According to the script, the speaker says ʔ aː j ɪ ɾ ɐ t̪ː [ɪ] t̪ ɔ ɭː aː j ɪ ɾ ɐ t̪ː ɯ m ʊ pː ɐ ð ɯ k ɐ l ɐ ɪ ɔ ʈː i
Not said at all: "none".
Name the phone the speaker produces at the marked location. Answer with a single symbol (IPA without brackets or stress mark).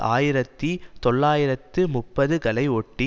i